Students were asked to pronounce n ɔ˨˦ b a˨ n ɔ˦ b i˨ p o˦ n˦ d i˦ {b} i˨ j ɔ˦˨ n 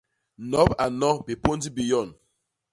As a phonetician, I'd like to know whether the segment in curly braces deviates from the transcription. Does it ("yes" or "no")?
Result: no